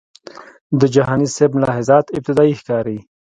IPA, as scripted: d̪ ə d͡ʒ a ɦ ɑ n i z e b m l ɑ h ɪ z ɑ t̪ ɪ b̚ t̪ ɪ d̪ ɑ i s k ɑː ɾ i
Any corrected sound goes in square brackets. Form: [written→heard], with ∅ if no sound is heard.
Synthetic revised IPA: d̪ ə d͡ʒ a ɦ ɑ n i [z→s] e b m l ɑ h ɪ z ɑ t̪ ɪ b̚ t̪ ɪ d̪ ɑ i [s→x] k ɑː ɾ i